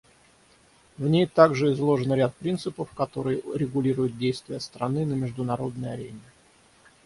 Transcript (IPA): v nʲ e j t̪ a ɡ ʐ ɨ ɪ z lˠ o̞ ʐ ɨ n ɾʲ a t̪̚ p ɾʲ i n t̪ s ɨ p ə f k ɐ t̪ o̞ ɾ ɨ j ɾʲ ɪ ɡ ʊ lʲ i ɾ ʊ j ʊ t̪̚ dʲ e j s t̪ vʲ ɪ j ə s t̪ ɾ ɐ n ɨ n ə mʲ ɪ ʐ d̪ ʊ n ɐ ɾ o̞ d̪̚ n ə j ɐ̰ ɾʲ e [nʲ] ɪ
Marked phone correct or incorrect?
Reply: correct